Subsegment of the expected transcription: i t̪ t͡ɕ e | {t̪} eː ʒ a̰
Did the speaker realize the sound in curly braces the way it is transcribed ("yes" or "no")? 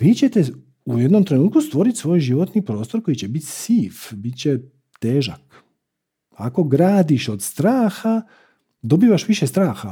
yes